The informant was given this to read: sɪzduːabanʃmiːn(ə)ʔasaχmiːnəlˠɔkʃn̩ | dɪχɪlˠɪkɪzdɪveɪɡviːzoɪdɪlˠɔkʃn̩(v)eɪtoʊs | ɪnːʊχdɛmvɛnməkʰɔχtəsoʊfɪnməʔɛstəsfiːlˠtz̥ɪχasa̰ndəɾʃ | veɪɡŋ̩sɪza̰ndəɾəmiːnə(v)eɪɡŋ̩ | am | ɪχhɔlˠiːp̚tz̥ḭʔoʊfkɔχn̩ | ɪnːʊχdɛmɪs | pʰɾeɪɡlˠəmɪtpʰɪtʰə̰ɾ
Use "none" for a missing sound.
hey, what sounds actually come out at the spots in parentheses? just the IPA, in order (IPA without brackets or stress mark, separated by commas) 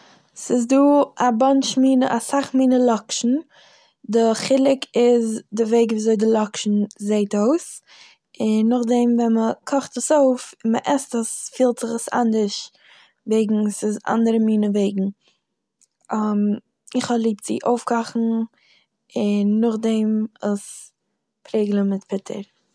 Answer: ə, z, v